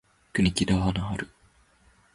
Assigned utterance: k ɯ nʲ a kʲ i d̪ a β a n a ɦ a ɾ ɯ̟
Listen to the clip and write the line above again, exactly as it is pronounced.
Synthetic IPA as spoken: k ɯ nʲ i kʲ i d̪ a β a n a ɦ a ɾ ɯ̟